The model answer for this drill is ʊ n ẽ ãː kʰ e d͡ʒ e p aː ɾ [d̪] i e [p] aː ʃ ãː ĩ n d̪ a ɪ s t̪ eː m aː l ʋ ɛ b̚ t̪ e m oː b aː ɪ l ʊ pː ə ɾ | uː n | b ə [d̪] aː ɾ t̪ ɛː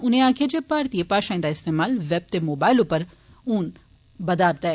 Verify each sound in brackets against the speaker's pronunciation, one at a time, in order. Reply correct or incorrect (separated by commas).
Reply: incorrect, correct, correct